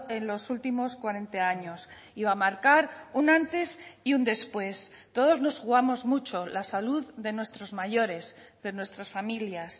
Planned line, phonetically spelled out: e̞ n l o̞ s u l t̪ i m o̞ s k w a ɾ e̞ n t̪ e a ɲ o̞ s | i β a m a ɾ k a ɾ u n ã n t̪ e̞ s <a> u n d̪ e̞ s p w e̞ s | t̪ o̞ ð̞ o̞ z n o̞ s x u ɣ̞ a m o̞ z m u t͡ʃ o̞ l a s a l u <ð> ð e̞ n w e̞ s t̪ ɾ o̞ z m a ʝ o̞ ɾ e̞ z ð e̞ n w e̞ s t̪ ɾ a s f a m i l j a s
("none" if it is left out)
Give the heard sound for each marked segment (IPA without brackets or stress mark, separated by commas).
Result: i, ð